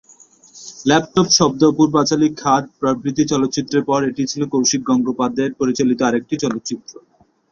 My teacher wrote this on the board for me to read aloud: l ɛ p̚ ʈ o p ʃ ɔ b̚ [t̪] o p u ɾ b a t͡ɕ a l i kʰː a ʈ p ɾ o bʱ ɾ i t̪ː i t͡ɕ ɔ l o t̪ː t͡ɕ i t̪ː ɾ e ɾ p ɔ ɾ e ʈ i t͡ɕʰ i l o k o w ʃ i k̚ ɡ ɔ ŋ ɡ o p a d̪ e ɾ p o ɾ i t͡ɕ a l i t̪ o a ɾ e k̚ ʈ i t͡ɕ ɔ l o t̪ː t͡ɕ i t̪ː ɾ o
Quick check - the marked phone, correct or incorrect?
incorrect